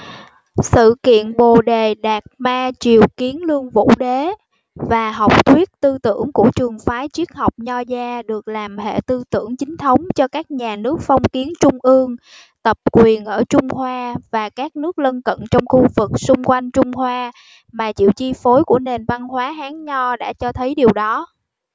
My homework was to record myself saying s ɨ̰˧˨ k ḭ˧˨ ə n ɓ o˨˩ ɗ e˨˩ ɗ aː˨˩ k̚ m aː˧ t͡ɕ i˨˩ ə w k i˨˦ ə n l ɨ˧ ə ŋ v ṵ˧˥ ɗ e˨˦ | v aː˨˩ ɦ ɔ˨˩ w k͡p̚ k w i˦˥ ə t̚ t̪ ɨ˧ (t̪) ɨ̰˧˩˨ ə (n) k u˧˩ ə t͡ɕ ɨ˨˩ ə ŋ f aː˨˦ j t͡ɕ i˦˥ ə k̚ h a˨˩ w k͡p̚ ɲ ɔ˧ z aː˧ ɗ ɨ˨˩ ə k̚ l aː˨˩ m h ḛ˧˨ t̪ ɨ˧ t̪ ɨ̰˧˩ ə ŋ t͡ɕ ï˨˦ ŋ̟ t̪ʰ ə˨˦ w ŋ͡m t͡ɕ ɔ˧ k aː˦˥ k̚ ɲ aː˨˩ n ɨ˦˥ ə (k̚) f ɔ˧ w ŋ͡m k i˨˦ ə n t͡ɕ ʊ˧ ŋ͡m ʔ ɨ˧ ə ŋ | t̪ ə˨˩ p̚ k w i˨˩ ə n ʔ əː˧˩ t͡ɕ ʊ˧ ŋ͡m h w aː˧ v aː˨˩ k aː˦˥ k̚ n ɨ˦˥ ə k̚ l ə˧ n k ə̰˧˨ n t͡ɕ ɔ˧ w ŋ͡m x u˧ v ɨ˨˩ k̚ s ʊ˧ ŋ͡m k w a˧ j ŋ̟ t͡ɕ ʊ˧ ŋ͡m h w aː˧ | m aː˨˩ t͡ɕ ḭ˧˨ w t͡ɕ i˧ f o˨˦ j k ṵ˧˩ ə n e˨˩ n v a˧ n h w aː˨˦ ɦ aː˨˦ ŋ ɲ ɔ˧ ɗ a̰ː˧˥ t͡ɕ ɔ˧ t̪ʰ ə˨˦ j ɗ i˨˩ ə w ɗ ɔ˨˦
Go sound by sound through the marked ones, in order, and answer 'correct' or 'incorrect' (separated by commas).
correct, incorrect, correct